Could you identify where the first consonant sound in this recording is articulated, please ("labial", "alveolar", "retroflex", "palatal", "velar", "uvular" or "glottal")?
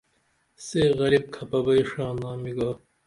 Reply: alveolar